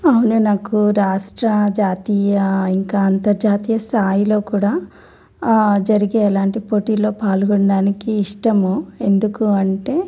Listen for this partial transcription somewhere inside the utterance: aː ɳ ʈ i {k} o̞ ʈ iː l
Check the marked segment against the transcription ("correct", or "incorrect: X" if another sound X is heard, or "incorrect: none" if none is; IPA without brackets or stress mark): incorrect: p